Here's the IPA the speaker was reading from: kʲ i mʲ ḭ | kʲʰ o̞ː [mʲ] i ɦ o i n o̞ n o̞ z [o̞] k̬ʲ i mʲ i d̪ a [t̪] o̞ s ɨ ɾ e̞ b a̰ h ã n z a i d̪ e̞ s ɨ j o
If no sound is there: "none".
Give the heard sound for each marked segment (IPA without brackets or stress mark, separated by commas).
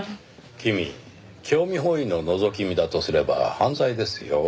mʲ, o̞, t̪